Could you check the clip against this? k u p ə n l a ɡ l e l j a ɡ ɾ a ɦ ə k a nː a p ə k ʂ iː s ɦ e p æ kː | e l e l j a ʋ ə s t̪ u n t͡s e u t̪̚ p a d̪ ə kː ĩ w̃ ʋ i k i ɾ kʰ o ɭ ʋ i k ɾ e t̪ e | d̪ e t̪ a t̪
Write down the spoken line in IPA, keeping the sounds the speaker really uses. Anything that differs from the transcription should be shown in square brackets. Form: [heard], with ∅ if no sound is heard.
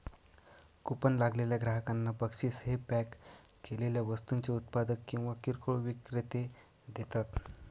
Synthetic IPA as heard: k u p ə n l a ɡ l e l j a ɡ ɾ a ɦ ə k a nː a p ə k ʂ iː s ɦ e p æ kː | e l e l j a ʋ ə s t̪ u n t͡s e u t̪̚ p a d̪ ə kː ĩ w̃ ʋ [a] k i ɾ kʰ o ɭ ʋ i k ɾ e t̪ e | d̪ e t̪ a t̪